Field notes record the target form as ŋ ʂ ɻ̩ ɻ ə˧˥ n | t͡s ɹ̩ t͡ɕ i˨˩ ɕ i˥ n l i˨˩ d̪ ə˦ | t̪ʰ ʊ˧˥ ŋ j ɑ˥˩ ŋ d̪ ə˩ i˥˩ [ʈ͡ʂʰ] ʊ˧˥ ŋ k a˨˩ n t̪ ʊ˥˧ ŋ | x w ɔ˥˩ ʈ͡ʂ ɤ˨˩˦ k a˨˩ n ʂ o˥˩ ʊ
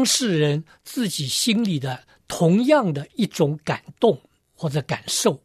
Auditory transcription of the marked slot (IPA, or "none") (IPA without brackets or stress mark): ʈ͡ʂ